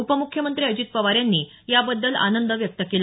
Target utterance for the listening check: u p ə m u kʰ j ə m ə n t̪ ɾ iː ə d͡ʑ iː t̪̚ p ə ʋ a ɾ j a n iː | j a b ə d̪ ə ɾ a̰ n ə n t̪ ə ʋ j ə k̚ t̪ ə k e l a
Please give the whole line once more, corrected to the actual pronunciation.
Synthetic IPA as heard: u p ə m u kʰ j ə m ə n t̪ ɾ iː ə d͡ʑ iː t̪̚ p ə ʋ a ɾ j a nː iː | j a b ə d̪ː ə l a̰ n ə n d̪ ə ʋ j ə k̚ t̪ ə k e l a